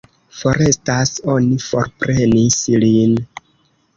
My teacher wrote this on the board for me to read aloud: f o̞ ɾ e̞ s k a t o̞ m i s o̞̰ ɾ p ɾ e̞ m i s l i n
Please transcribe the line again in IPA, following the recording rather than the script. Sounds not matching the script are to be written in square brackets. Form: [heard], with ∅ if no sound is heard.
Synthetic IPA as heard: f o̞ ɾ e̞ s [t] a [s] o̞ [n] i [f] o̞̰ ɾ p ɾ e̞ [n] i s l i n